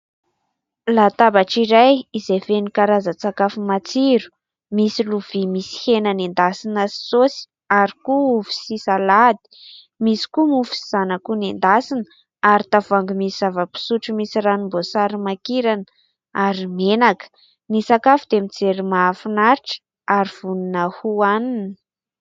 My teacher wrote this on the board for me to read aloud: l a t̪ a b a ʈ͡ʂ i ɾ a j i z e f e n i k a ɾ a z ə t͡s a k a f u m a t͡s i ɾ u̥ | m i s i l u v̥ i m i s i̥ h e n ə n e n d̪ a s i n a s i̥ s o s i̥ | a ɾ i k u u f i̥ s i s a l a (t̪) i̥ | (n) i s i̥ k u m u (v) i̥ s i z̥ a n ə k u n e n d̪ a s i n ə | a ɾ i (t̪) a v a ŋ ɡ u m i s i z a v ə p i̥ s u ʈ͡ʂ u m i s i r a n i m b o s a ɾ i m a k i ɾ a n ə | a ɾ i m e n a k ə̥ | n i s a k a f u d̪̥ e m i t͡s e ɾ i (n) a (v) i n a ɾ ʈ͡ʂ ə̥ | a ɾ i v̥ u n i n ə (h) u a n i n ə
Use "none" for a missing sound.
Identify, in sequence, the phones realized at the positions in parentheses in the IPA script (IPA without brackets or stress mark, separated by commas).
d̪, m, f, t̪, m, f, h